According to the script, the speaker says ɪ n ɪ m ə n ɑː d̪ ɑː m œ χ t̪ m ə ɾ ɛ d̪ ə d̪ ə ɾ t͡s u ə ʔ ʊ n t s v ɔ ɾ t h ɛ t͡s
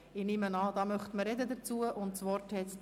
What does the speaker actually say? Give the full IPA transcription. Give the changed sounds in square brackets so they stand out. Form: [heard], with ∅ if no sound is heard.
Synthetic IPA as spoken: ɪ n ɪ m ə n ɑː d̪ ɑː m œ χ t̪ m ə ɾ ɛ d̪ ə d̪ ə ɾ t͡s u ə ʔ ʊ n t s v ɔ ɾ t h ɛ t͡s